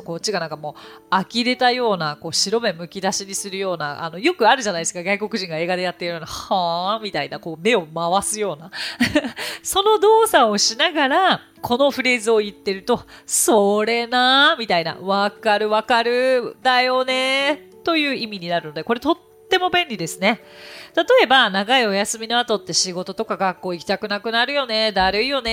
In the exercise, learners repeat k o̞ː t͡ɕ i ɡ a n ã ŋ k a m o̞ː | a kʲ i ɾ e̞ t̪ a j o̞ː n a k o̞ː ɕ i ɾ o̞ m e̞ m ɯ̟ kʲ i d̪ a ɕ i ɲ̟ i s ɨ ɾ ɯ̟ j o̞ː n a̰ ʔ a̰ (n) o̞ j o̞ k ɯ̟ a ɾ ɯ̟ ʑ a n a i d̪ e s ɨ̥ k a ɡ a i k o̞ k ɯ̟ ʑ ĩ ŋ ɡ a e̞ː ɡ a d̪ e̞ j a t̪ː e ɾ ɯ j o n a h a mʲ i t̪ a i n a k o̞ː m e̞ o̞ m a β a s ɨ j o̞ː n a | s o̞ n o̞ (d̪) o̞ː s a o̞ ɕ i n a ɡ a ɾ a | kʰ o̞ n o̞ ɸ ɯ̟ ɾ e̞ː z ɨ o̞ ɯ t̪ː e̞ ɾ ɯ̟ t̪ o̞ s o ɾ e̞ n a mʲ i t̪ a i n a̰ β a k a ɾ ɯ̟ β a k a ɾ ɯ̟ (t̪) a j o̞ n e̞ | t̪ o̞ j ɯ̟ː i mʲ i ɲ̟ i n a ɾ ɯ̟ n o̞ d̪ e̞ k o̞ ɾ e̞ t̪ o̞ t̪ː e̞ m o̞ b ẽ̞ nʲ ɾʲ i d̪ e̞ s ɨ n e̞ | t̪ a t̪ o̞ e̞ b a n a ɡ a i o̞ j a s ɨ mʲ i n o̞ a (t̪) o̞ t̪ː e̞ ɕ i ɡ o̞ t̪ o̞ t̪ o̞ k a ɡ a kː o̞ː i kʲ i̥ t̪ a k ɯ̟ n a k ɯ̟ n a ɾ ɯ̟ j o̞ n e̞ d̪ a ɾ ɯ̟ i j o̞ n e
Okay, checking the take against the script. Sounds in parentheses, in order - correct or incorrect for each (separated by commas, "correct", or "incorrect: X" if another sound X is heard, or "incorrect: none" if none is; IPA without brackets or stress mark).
correct, correct, incorrect: d̪, correct